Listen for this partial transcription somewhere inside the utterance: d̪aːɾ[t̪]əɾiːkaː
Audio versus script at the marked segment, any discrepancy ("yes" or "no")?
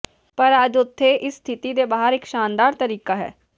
no